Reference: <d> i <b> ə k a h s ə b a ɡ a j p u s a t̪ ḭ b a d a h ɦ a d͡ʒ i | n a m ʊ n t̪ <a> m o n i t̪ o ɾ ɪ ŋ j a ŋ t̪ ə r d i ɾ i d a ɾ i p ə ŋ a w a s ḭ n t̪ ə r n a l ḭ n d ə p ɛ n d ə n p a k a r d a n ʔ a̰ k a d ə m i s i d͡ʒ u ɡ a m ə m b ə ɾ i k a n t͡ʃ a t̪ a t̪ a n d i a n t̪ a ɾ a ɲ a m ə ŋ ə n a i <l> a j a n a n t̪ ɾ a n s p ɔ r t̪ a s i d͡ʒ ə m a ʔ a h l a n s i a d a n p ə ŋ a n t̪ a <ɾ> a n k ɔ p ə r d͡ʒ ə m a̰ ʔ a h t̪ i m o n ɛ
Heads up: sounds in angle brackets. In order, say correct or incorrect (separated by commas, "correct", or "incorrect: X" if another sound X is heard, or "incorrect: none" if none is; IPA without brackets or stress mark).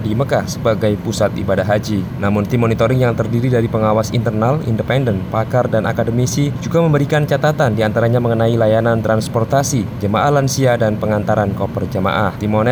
correct, incorrect: m, incorrect: i, correct, correct